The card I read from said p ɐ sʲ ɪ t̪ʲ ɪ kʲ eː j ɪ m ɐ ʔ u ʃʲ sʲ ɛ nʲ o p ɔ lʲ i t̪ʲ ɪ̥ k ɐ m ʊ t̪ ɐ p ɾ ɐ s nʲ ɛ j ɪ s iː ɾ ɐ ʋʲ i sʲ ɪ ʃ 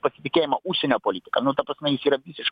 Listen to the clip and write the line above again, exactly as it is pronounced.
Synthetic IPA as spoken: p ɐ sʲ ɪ t̪ʲ ɪ kʲ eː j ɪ m ɐ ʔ u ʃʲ sʲ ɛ nʲ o p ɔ lʲ i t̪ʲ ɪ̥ k ɐ n ʊ t̪ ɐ p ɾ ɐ s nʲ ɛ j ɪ s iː ɾ ɐ ʋʲ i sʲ ɪ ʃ